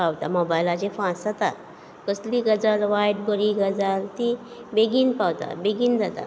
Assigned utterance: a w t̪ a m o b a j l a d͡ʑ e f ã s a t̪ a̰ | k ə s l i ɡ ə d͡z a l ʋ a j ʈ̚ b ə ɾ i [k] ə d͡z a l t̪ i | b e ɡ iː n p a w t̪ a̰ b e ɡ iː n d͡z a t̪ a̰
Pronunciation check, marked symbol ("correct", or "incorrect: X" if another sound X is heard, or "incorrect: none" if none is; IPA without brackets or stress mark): incorrect: ɡ